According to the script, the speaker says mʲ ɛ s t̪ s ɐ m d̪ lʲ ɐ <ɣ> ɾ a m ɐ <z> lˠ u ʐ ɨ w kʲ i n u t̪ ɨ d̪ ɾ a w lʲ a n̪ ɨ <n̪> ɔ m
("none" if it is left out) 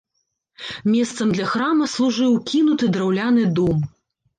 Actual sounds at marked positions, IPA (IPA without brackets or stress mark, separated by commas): x, s, d̪